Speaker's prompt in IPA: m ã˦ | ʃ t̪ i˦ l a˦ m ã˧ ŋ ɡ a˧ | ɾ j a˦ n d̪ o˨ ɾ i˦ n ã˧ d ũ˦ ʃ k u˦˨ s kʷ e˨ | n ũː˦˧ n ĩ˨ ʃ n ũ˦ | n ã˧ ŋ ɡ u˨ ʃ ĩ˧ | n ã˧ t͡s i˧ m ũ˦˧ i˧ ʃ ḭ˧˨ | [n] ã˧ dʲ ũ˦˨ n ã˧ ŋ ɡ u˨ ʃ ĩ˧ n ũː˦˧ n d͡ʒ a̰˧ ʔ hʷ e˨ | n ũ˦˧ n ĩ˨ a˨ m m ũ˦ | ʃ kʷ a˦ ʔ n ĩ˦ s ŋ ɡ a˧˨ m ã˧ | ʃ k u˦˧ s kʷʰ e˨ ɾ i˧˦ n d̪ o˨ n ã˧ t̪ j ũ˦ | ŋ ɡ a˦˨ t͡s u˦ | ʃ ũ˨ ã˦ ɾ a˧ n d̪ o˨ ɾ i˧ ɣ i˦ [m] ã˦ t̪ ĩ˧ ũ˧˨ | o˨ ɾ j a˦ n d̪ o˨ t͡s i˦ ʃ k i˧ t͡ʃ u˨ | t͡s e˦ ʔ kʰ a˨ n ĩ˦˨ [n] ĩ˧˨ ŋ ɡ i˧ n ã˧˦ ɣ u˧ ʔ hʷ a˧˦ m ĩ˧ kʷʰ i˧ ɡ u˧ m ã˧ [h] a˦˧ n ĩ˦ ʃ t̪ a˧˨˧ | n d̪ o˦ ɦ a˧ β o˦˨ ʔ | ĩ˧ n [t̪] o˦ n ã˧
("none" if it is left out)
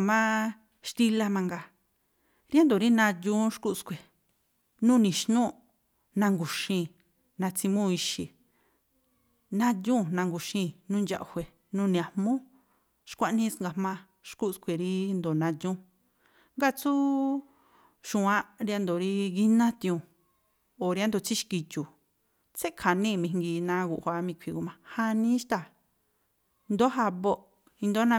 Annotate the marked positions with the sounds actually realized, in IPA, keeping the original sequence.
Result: n, n, m, h, d̪

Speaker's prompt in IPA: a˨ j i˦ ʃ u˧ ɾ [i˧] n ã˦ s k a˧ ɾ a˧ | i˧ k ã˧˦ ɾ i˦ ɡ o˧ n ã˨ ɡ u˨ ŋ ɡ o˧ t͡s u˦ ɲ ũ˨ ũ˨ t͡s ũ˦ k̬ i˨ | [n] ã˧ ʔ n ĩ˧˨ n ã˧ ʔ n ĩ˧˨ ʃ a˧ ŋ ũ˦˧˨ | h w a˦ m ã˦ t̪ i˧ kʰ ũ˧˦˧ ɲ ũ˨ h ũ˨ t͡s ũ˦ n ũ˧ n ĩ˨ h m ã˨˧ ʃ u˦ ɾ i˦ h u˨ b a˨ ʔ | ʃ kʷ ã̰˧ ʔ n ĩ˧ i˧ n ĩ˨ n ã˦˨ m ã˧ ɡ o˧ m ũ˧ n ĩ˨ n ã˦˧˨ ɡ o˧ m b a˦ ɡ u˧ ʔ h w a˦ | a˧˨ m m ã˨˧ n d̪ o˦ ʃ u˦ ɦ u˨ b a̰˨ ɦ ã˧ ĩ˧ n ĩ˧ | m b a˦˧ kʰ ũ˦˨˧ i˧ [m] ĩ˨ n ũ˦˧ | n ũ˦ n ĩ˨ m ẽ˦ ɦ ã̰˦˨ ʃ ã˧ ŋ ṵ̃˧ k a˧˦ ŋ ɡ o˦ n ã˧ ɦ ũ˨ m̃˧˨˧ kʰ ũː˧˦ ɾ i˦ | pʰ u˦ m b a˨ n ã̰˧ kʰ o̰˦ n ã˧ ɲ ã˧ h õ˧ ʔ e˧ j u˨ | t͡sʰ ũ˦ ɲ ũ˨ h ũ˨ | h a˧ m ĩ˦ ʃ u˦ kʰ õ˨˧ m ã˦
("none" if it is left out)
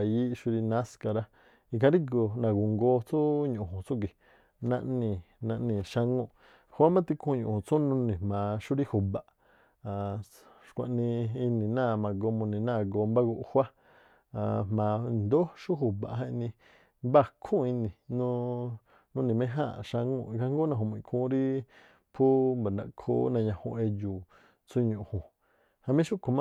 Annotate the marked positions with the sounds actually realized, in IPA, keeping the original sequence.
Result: i˧, n, n

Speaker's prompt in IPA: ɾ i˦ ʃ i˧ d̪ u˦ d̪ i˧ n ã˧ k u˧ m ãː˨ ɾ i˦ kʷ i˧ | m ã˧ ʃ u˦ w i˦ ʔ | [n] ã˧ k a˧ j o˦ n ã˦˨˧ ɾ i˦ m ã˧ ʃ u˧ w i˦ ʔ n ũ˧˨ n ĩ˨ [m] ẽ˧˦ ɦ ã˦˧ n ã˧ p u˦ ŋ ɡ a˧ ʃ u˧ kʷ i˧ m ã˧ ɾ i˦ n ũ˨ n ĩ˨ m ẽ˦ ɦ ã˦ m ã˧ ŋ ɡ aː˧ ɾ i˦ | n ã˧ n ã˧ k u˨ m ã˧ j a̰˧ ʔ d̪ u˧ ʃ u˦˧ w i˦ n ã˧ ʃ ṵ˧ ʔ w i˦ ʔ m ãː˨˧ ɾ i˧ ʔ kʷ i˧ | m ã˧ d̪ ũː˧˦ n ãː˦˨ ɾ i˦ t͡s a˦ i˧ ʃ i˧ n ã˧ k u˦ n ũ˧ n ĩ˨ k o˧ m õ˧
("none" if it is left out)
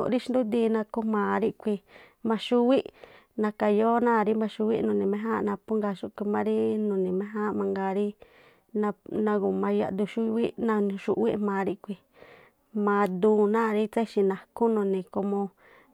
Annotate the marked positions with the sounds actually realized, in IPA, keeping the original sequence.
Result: n, m

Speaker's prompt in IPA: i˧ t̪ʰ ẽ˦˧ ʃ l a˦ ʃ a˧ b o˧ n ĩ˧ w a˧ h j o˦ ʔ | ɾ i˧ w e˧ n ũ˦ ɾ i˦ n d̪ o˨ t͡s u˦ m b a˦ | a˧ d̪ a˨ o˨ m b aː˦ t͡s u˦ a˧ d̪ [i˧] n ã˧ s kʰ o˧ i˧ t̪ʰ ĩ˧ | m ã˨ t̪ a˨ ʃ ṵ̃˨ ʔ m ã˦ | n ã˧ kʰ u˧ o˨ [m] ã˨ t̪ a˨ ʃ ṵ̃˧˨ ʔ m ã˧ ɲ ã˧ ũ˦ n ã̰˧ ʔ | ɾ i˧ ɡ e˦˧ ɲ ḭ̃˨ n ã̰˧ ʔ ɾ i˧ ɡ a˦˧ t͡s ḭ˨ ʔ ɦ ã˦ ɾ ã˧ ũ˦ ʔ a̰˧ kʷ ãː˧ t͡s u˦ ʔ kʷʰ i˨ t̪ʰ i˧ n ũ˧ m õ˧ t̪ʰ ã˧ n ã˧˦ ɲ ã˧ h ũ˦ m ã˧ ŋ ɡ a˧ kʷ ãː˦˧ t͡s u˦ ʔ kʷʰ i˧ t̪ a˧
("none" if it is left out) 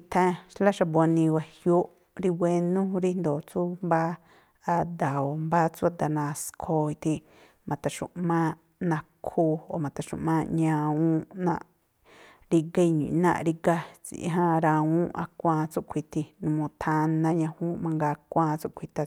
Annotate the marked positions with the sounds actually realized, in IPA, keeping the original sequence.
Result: a˧, m

